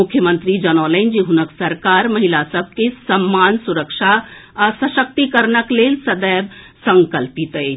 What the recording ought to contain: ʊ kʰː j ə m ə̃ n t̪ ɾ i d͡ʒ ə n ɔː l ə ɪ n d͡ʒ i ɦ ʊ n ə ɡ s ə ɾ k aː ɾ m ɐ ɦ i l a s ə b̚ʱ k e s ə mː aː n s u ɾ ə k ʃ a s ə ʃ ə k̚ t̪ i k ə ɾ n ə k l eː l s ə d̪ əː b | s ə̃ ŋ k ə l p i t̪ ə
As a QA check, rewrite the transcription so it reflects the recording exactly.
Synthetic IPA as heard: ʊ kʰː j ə m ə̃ n t̪ ɾ i d͡ʒ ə n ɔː l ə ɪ n d͡ʒ i ɦ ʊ n ə k s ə ɾ k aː ɾ m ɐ ɦ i l a s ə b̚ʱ k e s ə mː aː n s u ɾ ə k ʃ a s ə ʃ ə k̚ t̪ i k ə ɾ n ə k l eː l s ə d̪ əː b | s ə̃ ŋ k ə l p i t̪ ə